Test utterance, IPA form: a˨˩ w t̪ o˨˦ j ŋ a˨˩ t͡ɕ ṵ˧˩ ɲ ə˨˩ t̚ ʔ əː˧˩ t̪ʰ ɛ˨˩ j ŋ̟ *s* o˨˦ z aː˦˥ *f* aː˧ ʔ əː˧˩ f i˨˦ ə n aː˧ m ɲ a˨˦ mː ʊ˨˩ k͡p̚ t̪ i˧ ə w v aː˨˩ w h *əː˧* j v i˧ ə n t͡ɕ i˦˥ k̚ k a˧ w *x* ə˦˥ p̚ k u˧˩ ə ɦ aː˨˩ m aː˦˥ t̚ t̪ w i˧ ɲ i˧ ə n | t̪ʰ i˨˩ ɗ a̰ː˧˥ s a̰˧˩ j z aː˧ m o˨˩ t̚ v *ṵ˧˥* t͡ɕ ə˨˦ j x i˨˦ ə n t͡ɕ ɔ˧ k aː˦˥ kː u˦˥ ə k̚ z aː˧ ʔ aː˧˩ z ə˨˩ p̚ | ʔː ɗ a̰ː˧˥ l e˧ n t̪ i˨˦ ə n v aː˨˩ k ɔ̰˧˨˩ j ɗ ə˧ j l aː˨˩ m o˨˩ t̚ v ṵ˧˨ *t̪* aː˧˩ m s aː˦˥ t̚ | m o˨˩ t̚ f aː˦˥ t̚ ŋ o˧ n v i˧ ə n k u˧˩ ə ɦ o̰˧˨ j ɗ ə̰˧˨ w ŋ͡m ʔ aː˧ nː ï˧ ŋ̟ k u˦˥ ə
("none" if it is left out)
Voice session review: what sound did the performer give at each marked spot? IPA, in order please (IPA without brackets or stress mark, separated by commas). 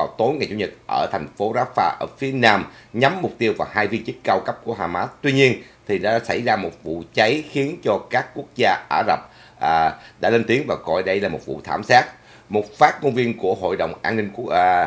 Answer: f, f, aː˧, k, ṵ˧˨, t̪ʰ